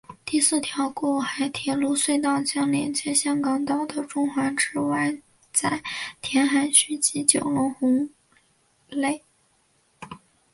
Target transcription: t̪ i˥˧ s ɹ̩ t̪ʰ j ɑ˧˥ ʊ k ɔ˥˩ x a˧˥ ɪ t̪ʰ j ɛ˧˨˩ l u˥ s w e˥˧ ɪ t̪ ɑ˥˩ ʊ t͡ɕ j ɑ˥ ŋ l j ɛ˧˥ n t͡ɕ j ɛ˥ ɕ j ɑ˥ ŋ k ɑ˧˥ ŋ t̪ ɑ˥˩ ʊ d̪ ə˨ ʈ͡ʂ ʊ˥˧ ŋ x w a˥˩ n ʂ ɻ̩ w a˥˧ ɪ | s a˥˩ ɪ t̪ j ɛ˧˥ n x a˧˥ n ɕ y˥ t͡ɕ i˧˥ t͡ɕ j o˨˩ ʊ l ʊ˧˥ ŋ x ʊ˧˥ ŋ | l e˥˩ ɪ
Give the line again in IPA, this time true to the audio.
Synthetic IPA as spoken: t̪ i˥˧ s ɹ̩ t̪ʰ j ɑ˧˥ ʊ k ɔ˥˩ x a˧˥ ɪ t̪ʰ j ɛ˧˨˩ l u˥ s w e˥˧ ɪ t̪ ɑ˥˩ ʊ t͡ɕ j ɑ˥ ŋ l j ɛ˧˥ n t͡ɕ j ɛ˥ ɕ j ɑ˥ ŋ k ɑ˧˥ ŋ t̪ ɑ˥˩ ʊ d̪ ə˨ ʈ͡ʂ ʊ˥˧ ŋ x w a˧˥ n ʈ͡ʂ ɻ̩ w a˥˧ ɪ | t͡s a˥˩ ɪ t̪ʰ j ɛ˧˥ n x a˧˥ n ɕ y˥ t͡ɕ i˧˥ t͡ɕ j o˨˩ ʊ l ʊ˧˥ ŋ x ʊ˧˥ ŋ | l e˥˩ ɪ

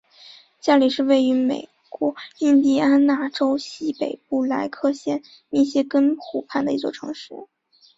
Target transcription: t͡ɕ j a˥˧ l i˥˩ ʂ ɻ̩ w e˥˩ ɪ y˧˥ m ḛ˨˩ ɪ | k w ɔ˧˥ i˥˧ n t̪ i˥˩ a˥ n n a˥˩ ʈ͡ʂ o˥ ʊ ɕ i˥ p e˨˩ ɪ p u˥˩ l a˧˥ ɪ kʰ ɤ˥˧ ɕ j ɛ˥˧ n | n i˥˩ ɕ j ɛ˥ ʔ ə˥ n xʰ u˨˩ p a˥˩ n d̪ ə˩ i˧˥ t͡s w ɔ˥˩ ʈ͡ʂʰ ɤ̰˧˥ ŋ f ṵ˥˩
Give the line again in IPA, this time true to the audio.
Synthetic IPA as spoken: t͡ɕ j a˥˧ l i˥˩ ʂ ɻ̩ w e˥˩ ɪ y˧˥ m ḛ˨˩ ɪ | k w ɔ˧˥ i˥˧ n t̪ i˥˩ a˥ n n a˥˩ ʈ͡ʂ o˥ ʊ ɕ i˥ p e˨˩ ɪ p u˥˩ l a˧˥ ɪ kʰ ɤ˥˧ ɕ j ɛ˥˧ n | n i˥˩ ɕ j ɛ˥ k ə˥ n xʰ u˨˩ pʰ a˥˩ n d̪ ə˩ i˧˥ t͡s w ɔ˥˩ ʈ͡ʂʰ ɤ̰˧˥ ŋ ʂ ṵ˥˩

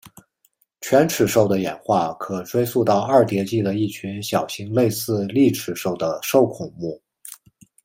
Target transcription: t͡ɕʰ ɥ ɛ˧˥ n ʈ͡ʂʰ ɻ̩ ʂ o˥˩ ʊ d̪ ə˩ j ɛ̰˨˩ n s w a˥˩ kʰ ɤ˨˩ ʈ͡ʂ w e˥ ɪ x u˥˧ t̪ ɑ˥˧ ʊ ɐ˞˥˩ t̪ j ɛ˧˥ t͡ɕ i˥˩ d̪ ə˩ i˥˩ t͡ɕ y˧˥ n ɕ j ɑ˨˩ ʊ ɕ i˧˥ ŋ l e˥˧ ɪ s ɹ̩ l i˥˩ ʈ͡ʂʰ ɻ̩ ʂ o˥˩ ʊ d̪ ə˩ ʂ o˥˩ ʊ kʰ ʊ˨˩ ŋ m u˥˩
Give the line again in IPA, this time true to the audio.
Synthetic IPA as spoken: t͡ɕʰ ɥ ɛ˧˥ n ʈ͡ʂʰ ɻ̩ ʂ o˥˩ ʊ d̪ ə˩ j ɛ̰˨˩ n x w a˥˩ kʰ ɤ˨˩ ʈ͡ʂ w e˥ ɪ s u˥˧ t̪ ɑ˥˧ ʊ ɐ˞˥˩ t̪ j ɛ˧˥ t͡ɕ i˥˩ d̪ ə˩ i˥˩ t͡ɕʰ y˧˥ n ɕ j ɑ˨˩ ʊ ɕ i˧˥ ŋ l e˥˧ ɪ s ɹ̩ l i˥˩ ʈ͡ʂʰ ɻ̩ ʂ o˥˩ ʊ d̪ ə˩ ʂ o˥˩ ʊ kʰ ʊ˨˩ ŋ m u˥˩

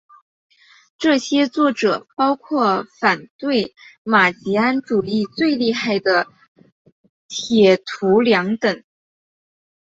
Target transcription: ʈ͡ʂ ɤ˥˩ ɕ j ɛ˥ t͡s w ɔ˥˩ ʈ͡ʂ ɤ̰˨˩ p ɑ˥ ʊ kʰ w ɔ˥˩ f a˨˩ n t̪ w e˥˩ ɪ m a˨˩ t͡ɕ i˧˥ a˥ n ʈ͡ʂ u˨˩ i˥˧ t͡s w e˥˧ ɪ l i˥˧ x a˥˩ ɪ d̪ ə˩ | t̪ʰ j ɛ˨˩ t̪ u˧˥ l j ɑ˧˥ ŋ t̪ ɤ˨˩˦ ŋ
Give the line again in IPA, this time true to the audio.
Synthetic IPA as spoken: ʈ͡ʂ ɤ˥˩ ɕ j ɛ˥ t͡s w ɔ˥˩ ʈ͡ʂ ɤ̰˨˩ p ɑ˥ ʊ kʰ w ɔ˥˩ f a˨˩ n t̪ w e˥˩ ɪ m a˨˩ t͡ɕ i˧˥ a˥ n ʈ͡ʂ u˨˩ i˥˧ t͡s w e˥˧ ɪ l i˥˧ x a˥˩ ɪ d̪ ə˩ | t̪ʰ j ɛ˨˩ t̪ʰ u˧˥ l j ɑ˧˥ ŋ t̪ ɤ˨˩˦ ŋ

